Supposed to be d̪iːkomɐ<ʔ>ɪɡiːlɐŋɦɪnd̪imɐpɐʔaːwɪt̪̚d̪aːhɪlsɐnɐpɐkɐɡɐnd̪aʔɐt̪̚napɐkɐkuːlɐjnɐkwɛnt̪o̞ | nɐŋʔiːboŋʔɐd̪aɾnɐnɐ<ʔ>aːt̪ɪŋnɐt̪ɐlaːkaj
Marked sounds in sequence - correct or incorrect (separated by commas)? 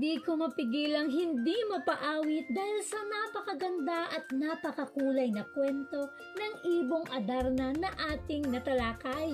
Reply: incorrect, correct